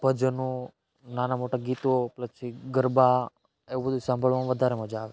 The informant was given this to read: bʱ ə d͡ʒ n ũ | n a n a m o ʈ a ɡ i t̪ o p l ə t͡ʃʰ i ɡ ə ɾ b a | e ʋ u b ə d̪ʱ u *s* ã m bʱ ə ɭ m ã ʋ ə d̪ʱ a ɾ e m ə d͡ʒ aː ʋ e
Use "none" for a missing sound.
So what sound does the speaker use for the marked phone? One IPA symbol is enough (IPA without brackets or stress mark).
s